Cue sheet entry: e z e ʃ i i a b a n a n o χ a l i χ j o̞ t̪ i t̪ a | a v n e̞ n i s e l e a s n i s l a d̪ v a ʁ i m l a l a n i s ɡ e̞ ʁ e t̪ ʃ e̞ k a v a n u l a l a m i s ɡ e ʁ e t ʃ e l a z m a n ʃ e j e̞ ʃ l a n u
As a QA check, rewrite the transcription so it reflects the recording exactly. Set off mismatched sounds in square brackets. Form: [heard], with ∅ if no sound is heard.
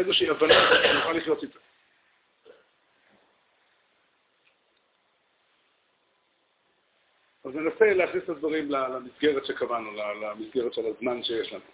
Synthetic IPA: e z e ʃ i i a [v] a n a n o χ a l i χ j o̞ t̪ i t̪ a | a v n e̞ n [a] s e l e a [χ] n i s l a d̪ v a ʁ i m l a l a [m] i s ɡ e̞ ʁ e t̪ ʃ e̞ k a v a n u l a l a m i s ɡ e ʁ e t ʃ e l a z m a n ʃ e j e̞ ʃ l a n u